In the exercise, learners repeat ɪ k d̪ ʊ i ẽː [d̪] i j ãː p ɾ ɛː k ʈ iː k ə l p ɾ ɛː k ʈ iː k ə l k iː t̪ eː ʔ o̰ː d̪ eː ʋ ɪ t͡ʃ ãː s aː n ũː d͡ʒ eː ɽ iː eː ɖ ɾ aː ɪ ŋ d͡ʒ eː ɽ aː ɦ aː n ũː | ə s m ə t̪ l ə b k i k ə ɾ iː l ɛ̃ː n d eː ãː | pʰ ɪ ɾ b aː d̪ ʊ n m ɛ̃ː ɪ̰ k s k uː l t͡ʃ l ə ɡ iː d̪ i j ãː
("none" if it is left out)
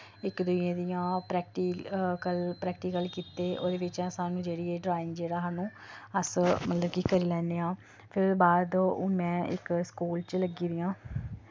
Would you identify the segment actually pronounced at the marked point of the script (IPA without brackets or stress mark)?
d̪